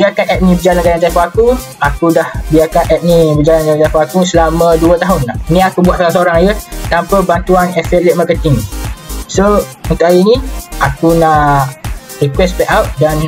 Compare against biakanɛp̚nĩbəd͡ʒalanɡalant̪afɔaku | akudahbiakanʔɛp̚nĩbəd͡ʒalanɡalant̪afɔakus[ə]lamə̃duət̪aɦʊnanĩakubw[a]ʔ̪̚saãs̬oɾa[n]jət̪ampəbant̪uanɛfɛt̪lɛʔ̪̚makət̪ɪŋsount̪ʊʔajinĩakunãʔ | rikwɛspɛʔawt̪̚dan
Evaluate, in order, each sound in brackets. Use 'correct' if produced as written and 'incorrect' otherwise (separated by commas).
correct, correct, incorrect